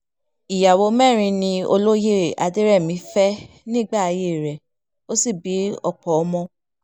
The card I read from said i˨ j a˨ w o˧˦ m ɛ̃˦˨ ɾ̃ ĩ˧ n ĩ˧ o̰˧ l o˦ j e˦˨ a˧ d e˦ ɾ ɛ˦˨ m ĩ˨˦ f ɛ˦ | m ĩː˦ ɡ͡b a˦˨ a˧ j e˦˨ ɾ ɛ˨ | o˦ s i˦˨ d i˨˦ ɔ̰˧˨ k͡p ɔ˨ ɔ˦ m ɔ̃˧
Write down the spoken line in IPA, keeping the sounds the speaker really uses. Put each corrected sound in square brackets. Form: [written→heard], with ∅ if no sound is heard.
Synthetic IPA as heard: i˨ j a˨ w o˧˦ m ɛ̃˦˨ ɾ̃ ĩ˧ n ĩ˧ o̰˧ l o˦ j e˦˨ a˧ d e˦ ɾ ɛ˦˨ m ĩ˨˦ f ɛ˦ | [m→n] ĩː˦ ɡ͡b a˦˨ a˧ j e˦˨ ɾ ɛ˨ | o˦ s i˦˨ [d→b] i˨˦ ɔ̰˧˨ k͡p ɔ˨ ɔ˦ m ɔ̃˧